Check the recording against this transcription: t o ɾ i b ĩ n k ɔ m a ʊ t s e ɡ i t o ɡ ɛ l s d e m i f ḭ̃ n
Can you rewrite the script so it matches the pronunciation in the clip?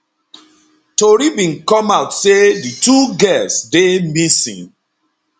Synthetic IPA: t o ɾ i b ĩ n k ɔ m a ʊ t s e d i t u ɡ ɛ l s d e m i s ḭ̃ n